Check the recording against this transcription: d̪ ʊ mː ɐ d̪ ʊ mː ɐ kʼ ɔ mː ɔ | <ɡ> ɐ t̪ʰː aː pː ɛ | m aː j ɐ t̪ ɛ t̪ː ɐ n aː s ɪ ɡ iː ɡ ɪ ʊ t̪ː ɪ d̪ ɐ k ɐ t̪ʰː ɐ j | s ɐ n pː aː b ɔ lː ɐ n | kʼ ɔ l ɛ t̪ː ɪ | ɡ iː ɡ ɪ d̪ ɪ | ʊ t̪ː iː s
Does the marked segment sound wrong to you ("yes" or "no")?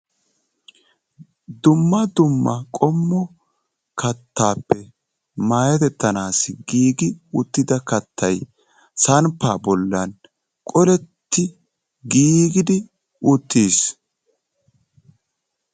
yes